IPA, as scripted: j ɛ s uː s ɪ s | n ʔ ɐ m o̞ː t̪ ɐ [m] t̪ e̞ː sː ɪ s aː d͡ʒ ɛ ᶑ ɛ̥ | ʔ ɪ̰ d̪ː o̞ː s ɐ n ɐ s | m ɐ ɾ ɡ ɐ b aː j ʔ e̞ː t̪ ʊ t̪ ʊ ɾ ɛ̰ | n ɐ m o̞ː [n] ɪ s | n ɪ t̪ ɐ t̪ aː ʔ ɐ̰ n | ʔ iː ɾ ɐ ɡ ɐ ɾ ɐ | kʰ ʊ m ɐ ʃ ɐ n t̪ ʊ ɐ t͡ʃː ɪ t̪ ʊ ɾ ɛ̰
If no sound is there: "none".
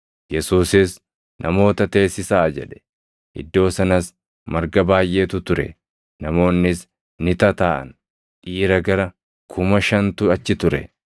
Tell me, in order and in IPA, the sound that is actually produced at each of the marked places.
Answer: none, nː

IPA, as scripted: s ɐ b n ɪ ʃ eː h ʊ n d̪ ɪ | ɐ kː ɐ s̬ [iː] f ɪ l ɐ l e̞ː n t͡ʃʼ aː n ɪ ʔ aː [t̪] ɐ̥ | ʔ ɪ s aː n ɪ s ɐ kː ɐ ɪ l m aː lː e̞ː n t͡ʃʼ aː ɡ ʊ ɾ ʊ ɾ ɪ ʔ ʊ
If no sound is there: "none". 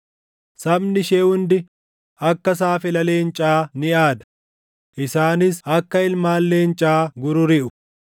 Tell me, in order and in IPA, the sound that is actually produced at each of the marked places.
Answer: aː, d̪

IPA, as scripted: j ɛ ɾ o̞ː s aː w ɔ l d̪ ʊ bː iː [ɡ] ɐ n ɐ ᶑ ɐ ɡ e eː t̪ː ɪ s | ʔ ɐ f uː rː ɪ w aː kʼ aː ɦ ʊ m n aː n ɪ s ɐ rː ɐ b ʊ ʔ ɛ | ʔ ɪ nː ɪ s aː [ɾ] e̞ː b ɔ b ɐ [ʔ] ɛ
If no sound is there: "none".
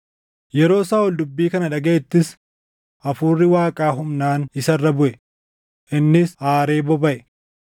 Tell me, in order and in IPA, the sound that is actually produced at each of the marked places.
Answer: k, ɾ, ʔ

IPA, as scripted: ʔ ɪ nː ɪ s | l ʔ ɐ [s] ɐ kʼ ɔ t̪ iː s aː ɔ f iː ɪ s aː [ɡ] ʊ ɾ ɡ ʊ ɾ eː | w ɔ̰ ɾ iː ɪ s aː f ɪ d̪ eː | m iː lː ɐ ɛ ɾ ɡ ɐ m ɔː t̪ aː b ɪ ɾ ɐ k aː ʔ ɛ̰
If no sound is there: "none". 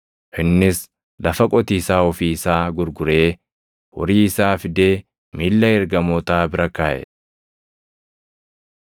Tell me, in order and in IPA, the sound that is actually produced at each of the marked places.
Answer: f, ɡ

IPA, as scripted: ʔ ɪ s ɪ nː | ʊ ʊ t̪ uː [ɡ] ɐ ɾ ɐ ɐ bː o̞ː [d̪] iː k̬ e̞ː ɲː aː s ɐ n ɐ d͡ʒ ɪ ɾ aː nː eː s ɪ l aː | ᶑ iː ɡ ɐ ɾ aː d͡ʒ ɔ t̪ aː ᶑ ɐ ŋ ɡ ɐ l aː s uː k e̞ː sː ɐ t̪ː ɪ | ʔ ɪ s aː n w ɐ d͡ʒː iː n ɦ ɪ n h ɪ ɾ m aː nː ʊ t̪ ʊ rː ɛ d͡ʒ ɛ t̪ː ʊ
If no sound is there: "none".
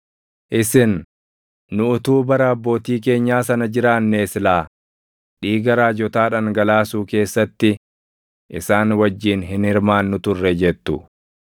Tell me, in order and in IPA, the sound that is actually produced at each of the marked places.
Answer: b, t̪

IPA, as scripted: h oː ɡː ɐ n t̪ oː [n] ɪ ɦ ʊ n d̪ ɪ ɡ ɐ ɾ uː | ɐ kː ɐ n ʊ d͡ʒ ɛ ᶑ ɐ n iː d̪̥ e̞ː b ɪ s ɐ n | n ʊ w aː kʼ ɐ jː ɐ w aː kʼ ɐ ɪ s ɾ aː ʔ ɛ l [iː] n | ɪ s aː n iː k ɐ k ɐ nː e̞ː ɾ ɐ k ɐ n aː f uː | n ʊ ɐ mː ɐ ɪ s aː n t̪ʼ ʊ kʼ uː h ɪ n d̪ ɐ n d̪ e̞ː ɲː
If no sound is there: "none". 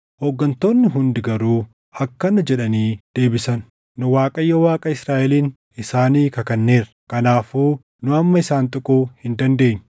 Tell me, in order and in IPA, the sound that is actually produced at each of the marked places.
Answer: nː, iː

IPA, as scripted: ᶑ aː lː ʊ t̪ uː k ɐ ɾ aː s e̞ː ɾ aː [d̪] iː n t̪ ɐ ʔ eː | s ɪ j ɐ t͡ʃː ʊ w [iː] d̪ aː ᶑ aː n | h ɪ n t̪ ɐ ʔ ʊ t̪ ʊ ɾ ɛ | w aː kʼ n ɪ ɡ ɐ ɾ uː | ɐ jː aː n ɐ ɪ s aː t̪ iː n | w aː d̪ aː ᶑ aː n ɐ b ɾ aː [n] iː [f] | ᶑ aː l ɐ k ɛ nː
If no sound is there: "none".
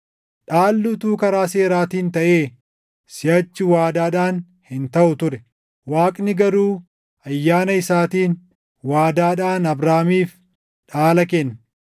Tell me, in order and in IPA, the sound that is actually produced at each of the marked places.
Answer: t̪, aː, m, f

